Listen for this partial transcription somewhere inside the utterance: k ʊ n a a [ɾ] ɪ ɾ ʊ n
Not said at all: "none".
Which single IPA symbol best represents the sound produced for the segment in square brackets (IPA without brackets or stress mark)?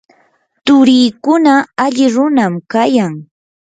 ʎ